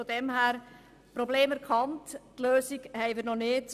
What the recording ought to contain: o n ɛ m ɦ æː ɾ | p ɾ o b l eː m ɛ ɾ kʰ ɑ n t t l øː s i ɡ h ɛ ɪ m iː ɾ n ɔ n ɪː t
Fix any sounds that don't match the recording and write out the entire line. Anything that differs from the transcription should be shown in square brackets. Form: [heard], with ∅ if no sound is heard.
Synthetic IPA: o [d] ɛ m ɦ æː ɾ | p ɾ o b l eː m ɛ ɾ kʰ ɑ n t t l øː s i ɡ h ɛ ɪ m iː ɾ n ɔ n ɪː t